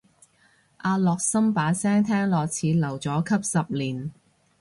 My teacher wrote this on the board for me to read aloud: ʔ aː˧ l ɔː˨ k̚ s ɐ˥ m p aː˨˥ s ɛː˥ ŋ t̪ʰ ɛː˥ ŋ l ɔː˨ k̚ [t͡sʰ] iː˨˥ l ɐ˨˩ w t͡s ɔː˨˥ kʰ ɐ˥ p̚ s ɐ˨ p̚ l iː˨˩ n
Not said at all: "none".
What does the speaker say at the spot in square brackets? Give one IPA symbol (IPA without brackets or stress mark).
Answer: t͡sʰ